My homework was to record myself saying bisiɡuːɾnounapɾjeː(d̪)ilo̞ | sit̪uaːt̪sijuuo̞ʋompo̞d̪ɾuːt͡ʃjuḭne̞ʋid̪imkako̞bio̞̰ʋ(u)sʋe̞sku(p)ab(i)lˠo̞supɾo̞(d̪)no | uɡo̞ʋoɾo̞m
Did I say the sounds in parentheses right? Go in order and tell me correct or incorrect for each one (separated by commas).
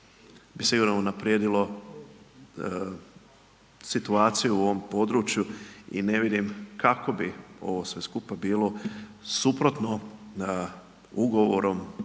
correct, incorrect, correct, incorrect, incorrect